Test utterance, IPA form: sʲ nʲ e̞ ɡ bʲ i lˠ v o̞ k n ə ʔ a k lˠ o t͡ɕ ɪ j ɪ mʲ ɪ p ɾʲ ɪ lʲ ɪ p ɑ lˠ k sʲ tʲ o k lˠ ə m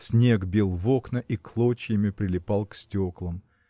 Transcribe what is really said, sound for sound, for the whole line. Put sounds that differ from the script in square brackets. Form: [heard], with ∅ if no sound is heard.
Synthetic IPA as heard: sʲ nʲ e̞ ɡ bʲ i lˠ v o̞ k n ə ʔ [i] k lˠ o t͡ɕ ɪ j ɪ mʲ ɪ p ɾʲ ɪ lʲ ɪ p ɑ lˠ k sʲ tʲ o k lˠ ə m